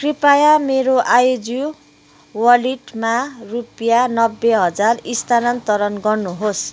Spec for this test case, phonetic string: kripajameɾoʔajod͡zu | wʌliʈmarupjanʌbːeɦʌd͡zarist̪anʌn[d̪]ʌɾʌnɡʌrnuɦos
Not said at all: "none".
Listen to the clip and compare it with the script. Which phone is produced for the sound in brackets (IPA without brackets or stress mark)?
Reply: t̪